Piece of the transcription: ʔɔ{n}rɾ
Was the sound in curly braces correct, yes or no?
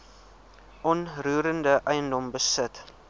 yes